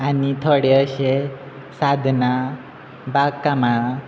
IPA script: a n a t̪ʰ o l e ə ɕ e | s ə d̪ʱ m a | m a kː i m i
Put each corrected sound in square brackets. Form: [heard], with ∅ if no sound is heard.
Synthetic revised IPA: a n [i] t̪ʰ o [ɽ] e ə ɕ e | s [a] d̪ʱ [n] a | [b] a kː [a] m [a]